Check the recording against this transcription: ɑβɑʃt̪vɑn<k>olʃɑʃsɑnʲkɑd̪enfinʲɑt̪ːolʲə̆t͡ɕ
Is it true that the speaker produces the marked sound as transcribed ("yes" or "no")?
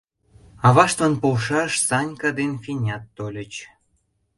no